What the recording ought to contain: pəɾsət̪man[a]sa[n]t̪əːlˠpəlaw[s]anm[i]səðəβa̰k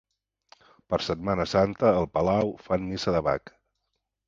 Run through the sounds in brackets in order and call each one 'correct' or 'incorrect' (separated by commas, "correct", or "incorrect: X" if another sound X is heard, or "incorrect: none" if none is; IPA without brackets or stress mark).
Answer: incorrect: ə, correct, incorrect: f, correct